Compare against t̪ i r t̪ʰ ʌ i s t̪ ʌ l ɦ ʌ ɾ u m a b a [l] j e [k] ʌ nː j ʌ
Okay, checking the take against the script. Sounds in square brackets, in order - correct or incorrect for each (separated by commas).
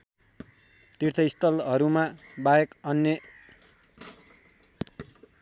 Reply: incorrect, correct